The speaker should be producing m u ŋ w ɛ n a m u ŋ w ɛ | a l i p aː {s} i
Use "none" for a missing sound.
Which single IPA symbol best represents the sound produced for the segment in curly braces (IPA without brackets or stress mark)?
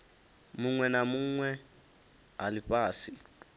s